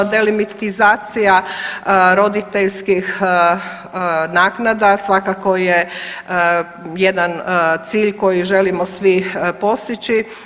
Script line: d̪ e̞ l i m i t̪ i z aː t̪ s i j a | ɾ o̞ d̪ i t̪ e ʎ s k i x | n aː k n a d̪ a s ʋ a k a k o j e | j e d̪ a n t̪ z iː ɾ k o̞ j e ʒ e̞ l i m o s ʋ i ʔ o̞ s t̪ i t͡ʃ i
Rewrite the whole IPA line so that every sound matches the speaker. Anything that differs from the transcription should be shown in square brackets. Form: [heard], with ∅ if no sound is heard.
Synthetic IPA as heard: d̪ e̞ l i m i t̪ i z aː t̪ s i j a | ɾ o̞ d̪ i t̪ e ʎ s k i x | n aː k n a d̪ a s ʋ a k a k o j e | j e d̪ a n t̪ [s] iː [ʎ] k o̞ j [i] ʒ e̞ l i m o s ʋ i [p] o̞ s t̪ i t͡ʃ i